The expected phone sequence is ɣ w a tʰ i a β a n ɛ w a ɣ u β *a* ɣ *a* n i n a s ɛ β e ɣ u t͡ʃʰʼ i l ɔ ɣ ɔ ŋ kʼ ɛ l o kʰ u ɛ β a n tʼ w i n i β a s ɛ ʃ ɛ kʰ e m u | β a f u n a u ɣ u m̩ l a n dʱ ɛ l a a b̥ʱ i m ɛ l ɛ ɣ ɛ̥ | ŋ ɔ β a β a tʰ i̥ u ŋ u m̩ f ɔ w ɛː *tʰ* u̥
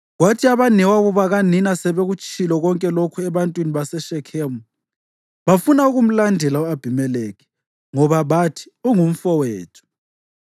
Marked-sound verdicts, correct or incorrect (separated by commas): correct, correct, correct